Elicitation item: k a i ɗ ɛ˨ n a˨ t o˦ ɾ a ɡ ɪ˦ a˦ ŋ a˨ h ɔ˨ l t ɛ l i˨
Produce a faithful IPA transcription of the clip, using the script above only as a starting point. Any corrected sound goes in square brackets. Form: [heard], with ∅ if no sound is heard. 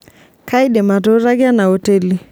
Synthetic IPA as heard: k a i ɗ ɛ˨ [m] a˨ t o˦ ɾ a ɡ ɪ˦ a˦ [n] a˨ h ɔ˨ [∅] t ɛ l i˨